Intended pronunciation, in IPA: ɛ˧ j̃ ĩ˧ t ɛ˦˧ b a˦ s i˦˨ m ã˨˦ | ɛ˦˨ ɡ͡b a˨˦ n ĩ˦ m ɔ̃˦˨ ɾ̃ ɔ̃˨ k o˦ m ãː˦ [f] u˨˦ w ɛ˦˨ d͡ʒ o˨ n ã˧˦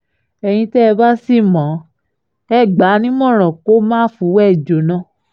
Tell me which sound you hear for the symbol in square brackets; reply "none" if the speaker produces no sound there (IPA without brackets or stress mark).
f